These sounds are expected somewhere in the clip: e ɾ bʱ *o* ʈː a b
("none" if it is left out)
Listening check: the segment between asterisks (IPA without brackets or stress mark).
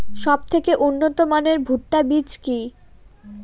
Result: u